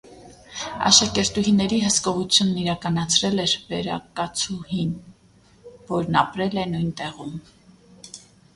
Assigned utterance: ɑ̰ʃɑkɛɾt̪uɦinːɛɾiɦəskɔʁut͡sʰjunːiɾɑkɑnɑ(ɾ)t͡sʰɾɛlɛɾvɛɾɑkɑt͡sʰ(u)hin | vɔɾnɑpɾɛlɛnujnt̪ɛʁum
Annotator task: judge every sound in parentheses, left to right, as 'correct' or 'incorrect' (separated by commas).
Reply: incorrect, correct